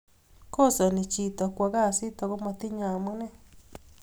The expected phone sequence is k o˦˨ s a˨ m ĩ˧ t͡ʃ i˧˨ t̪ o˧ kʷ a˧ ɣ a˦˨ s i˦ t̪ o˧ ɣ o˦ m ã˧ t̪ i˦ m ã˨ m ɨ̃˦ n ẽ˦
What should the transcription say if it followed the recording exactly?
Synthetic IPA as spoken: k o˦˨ s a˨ n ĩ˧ t͡ʃ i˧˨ t̪ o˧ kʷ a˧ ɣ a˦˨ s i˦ t̪ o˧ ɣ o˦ m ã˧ t̪ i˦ ɲ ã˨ m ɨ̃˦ n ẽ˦